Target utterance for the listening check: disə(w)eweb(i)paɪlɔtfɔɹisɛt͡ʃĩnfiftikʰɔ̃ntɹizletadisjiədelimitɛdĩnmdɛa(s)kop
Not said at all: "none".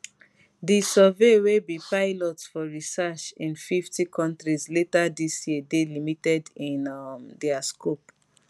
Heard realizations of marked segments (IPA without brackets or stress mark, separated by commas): v, i, s